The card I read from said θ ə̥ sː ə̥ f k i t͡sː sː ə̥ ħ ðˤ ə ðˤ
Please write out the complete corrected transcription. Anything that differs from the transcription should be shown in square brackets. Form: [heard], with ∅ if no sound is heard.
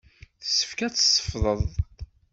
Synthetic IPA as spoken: θ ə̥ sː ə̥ f k [æ] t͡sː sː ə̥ [f] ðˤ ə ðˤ